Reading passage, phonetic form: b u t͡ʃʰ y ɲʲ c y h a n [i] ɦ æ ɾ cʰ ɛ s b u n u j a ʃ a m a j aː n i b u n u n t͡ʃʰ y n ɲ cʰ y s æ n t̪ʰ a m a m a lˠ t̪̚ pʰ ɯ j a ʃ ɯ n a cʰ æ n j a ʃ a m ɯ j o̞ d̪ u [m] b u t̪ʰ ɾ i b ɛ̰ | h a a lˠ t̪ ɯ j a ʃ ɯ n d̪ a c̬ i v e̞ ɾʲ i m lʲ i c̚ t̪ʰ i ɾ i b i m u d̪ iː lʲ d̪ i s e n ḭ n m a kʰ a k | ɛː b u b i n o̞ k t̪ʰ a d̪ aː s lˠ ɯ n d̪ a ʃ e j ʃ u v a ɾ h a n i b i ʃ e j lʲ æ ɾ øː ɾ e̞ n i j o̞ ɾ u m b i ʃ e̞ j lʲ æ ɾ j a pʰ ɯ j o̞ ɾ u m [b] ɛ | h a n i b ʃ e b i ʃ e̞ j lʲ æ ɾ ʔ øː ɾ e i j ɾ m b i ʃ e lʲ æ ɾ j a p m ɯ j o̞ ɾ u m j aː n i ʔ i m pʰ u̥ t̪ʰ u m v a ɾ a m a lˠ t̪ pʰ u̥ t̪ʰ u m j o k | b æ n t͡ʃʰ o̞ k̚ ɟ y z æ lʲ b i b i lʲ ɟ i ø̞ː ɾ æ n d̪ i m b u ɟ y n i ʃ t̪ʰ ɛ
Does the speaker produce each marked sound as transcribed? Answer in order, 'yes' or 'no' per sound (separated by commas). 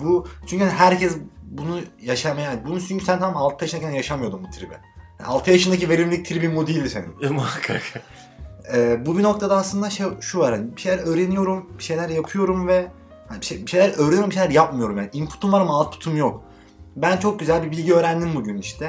yes, yes, no